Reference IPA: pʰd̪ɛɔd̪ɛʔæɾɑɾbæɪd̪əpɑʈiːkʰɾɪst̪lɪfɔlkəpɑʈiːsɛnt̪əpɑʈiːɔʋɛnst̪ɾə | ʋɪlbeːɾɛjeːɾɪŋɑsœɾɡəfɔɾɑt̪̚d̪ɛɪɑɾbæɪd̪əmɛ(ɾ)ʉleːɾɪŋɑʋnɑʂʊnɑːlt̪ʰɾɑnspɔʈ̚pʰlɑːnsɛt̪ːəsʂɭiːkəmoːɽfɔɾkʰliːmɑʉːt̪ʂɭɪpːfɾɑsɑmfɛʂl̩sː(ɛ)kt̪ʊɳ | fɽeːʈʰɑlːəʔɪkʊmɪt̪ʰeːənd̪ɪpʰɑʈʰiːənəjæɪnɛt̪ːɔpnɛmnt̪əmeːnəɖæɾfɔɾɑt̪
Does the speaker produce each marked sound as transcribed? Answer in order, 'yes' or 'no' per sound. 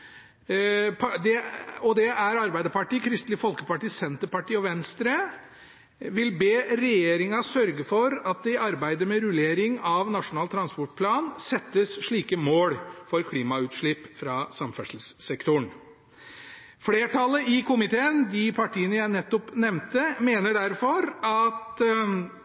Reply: yes, yes

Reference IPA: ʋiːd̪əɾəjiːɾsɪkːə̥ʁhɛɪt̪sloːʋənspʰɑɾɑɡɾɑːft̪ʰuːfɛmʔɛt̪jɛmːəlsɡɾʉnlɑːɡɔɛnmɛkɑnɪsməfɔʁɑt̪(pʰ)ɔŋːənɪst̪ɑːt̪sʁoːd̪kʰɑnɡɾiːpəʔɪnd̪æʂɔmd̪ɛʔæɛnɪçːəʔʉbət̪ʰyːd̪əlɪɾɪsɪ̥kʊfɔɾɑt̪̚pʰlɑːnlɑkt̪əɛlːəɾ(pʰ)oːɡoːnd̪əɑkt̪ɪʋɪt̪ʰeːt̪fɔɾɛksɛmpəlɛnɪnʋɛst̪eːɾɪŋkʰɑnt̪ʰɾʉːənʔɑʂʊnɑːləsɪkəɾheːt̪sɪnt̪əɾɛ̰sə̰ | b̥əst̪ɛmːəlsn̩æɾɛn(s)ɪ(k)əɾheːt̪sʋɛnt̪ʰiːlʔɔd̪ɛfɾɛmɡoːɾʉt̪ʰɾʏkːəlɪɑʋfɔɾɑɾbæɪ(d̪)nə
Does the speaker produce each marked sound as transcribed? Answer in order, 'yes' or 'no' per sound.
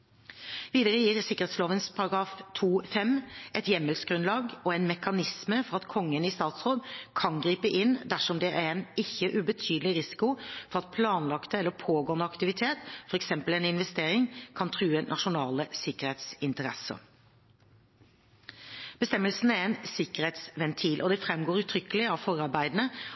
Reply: no, yes, yes, yes, yes

